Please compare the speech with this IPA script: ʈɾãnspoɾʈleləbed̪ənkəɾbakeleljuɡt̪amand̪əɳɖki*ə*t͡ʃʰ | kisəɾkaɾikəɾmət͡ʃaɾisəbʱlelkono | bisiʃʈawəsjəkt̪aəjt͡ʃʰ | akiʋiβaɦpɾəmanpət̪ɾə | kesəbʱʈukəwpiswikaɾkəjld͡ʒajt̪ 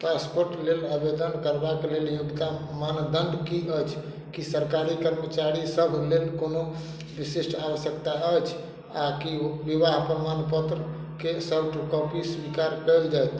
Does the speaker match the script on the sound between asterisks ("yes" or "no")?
yes